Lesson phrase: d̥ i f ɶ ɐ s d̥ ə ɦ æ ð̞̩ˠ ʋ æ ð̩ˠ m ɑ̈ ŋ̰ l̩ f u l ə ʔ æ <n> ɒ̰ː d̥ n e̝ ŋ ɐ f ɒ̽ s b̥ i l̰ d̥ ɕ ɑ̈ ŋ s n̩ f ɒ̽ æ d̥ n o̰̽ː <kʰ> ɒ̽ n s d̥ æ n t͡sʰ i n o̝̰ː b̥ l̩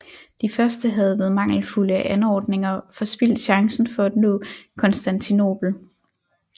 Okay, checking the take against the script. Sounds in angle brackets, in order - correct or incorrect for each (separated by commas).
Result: correct, correct